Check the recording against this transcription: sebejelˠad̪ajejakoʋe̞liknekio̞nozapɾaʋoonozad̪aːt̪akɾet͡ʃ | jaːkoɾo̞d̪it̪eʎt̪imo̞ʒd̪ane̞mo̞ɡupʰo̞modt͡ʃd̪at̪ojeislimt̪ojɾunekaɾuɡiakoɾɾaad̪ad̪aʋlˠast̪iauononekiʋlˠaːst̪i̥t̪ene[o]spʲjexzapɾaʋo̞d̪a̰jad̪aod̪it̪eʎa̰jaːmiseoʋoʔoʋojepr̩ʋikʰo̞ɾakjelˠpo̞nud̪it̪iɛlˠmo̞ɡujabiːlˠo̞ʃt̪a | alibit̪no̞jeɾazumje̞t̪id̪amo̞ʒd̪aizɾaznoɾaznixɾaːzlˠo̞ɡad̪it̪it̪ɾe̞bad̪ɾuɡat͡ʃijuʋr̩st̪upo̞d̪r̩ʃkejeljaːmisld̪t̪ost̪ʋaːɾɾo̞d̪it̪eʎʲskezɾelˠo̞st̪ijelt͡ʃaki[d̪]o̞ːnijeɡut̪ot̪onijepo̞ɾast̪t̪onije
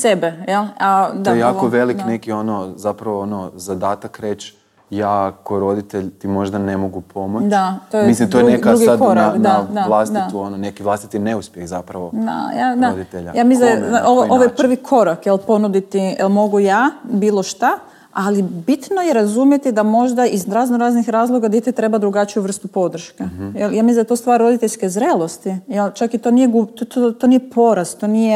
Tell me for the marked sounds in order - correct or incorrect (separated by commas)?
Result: incorrect, incorrect